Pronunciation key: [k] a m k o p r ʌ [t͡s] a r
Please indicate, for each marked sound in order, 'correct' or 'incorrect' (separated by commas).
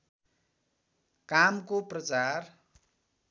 correct, correct